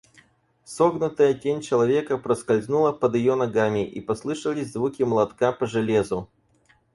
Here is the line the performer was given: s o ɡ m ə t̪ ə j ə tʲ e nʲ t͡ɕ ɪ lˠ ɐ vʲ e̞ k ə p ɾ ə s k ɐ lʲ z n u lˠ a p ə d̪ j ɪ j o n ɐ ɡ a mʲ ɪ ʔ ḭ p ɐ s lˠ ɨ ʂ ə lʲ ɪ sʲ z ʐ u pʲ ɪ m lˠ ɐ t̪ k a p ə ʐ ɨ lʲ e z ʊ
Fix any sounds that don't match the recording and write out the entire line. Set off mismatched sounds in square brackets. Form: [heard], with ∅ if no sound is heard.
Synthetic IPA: s o ɡ [n] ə t̪ ə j ə tʲ e nʲ t͡ɕ ɪ lˠ ɐ vʲ e̞ k ə p ɾ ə s k ɐ lʲ z n u lˠ [ə] p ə d̪ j ɪ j o n ɐ ɡ a mʲ ɪ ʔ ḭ p ɐ s lˠ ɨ ʂ ə lʲ ɪ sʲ z [v] u [kʲ] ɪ m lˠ ɐ t̪ k a p ə ʐ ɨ lʲ e z ʊ